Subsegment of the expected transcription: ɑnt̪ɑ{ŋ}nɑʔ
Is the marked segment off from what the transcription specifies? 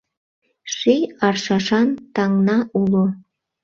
no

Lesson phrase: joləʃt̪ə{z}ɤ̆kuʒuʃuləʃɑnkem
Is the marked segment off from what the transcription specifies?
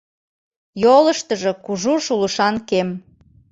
yes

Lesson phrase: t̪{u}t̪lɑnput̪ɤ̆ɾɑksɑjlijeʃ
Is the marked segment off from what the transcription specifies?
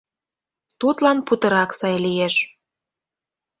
no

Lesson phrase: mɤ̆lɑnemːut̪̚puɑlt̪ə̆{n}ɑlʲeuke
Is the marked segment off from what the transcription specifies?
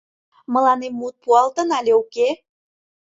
no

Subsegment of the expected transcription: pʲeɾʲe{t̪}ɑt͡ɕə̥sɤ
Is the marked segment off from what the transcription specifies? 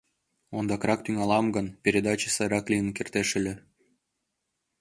yes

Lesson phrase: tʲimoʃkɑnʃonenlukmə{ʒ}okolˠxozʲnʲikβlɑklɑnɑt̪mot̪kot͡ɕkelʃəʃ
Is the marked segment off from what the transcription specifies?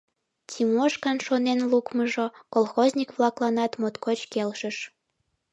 no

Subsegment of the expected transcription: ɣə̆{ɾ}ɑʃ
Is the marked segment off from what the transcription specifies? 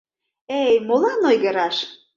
no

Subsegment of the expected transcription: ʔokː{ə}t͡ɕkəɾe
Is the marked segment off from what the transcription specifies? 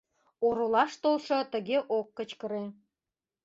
no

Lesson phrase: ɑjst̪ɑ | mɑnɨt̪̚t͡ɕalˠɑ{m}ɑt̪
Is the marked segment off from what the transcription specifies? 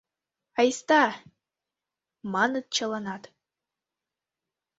yes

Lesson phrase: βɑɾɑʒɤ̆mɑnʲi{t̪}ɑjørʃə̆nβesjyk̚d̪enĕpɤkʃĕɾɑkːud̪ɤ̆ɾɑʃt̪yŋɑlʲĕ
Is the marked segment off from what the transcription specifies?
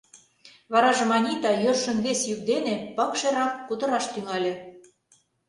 no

